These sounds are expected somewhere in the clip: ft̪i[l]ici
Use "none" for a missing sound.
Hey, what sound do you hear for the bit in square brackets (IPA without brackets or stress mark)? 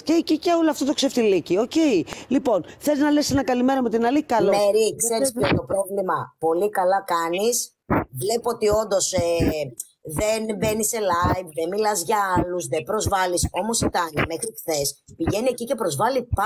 l